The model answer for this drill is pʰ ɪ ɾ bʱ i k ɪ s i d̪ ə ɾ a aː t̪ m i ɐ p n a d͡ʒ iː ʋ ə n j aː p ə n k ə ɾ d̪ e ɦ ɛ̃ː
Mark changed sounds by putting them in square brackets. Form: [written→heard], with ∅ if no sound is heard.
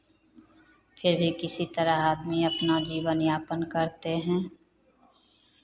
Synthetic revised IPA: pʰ ɪ ɾ bʱ i k ɪ s i [d̪→t̪] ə ɾ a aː [t̪→d̪] m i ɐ p n a d͡ʒ iː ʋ ə n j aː p ə n k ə ɾ [d̪→t̪] e ɦ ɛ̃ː